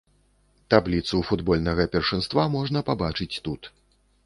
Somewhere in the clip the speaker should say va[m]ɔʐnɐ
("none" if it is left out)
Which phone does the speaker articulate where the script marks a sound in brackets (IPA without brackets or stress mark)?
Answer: m